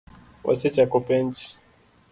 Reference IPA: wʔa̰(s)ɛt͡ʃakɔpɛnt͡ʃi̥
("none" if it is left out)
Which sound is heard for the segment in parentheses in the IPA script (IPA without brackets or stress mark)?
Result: s